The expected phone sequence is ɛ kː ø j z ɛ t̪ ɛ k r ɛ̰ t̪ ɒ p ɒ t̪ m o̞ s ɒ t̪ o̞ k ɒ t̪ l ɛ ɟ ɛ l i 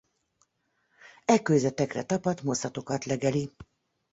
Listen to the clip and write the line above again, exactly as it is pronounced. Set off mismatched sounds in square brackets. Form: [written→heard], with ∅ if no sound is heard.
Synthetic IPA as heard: ɛ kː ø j z ɛ t̪ ɛ k r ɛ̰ t̪ ɒ p ɒ t̪ m o̞ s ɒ t̪ o̞ k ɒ t̪ l ɛ [ɟ→ɡ] ɛ l i